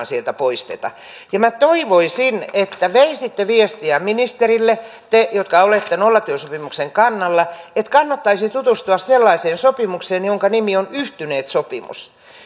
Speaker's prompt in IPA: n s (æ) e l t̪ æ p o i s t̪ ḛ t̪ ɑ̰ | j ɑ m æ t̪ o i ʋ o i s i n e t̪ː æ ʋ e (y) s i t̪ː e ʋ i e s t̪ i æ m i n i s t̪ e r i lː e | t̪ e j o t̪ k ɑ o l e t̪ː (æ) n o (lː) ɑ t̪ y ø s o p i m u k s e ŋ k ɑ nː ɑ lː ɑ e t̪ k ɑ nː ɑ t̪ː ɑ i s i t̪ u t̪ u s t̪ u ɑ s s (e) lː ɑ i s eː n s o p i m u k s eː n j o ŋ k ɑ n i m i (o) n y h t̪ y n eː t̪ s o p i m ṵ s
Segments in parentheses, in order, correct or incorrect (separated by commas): incorrect, incorrect, incorrect, correct, correct, correct